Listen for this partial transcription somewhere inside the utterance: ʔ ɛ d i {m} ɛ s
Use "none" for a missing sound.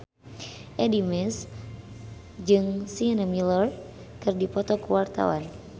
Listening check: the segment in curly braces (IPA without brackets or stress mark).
m